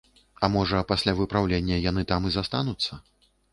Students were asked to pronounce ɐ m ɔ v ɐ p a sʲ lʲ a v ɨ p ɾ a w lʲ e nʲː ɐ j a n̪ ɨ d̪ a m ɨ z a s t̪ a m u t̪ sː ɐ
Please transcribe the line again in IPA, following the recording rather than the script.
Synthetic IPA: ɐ m ɔ ʐ ɐ p a sʲ lʲ a v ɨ p ɾ a w lʲ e nʲː ɐ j a n̪ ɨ t̪ a m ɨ z a s t̪ a n u t̪ sː ɐ

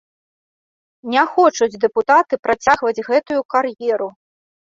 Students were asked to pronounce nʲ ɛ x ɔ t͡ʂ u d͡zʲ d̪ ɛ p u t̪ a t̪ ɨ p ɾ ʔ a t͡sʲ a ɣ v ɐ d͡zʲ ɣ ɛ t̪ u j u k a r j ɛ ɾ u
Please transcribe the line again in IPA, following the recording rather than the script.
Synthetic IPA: nʲ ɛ x ɔ t͡ʂ u d͡zʲ d̪ ɛ p u t̪ a t̪ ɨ p ɾ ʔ a t͡sʲ a ɣ v ɐ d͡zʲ ɣ ɛ t̪ u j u k a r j ɛ ɾ u

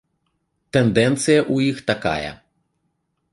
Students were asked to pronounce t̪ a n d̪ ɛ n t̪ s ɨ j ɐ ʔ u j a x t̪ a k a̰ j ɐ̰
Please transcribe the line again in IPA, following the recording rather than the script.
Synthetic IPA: t̪ ɛ n d̪ ɛ n t̪ s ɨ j ɐ ʔ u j i x t̪ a k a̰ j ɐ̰

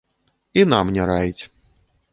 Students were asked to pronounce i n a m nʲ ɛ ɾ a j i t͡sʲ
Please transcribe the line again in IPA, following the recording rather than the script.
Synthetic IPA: i n a m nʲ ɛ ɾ a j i t͡sʲ

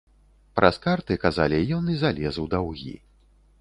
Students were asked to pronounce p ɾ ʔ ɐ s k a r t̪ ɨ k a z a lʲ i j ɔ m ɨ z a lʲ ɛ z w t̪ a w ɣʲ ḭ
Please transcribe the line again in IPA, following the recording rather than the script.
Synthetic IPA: p ɾ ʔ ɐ s k a r t̪ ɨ k a z a lʲ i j ɔ n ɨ z a lʲ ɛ z w d̪ a w ɣʲ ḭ

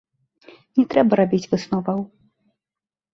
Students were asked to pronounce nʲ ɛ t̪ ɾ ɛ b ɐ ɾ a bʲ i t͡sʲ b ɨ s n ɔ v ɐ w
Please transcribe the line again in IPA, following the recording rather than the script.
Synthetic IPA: nʲ ɛ t̪ ɾ ɛ b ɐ ɾ a bʲ i t͡sʲ v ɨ s n ɔ v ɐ w

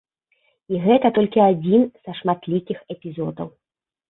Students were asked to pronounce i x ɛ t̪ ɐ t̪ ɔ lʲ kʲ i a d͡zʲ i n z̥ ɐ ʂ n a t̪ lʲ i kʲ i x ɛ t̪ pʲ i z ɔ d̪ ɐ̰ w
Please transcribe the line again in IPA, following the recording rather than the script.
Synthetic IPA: i ɣ ɛ t̪ ɐ t̪ ɔ lʲ kʲ i a d͡zʲ i n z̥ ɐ ʂ m a t̪ lʲ i kʲ i x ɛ pʲ i z ɔ d̪ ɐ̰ w

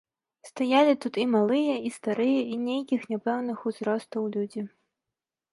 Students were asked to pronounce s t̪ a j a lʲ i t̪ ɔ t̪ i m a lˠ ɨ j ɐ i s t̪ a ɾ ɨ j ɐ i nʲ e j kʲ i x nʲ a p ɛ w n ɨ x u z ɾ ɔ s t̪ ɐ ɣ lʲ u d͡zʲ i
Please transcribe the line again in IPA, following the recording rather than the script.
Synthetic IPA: s t̪ a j a lʲ i t̪ u t̪ i m a lˠ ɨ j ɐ i s t̪ a ɾ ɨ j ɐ i nʲ e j kʲ i x nʲ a p ɛ w n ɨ x u z ɾ ɔ s t̪ ɐ w lʲ u d͡zʲ i

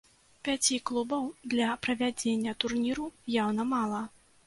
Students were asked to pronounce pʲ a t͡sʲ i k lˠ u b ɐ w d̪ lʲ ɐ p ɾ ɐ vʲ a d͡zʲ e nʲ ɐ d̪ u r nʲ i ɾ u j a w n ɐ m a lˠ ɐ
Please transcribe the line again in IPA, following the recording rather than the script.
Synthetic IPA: pʲ a t͡sʲ i k lˠ u b ɐ w d̪ lʲ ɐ p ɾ ɐ vʲ a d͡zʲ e nʲː ɐ t̪ u r nʲ i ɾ u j a w n ɐ m a lˠ ɐ

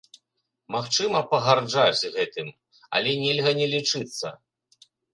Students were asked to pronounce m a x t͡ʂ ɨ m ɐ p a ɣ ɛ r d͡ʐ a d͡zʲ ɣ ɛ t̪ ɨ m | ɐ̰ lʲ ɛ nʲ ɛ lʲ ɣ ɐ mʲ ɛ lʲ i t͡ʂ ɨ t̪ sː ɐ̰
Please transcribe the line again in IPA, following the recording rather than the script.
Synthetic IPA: m a x t͡ʂ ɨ m ɐ p ɐ ɣ a r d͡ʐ a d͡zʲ ɣ ɛ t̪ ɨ m | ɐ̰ lʲ ɛ nʲ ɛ lʲ ɣ ɐ nʲ ɛ lʲ i t͡ʂ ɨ t̪ sː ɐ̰

